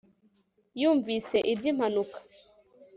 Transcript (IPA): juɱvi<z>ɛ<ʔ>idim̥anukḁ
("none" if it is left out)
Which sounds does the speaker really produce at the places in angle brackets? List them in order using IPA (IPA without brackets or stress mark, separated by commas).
s, ʔ